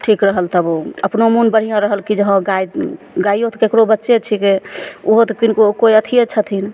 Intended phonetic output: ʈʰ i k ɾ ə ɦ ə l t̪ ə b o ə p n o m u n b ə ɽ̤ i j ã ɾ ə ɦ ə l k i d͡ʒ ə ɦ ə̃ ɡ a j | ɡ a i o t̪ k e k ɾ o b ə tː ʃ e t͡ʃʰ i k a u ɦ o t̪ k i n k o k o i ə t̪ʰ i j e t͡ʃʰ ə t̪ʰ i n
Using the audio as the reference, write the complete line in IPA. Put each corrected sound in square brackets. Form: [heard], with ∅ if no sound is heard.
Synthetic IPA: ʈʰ i k ɾ ə ɦ ə l t̪ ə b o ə p n o m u n b ə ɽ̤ i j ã ɾ ə ɦ ə l k i d͡ʒ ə ɦ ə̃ ɡ a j | ɡ a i o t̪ k e k ɾ o b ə tː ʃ e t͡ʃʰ i k [e] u ɦ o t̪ k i n k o k o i ə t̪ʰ i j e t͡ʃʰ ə t̪ʰ i n